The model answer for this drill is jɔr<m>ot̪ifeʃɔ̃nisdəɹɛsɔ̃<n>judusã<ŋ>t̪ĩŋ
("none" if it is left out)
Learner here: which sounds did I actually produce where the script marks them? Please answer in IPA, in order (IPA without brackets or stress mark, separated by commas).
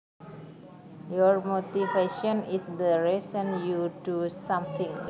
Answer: m, n, m